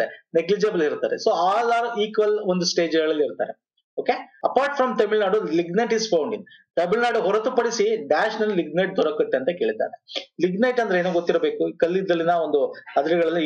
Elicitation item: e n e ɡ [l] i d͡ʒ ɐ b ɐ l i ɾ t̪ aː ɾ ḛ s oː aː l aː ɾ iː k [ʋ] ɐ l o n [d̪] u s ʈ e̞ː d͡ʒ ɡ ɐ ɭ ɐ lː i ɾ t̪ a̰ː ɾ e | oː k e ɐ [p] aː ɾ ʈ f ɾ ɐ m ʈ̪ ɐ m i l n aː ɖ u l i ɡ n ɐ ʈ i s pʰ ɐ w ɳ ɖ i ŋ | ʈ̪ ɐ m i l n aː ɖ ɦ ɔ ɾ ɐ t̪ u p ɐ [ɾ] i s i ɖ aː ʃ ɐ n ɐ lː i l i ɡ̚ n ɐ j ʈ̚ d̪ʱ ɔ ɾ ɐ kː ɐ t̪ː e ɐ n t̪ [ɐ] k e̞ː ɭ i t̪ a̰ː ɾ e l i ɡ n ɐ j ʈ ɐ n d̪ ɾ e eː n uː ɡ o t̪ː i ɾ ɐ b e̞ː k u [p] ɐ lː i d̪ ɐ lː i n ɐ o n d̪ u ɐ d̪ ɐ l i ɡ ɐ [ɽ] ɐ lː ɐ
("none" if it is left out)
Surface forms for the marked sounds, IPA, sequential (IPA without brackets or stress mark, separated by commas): l, ʋ, d̪, p, ɽ, ɐ, k, ɭ